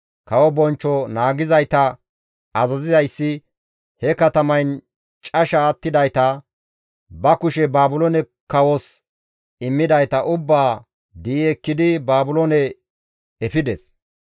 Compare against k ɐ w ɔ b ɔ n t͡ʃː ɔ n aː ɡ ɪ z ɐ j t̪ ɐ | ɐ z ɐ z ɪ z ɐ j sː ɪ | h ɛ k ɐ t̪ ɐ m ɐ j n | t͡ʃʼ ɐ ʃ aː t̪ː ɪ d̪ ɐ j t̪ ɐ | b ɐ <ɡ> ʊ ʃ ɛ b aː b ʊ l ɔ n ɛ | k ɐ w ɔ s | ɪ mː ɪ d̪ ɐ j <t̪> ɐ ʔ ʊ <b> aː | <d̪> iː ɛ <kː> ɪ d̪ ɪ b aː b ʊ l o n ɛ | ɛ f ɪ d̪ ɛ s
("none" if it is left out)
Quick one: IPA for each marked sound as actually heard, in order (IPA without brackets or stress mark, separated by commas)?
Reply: k, t̪, bː, d̪, kː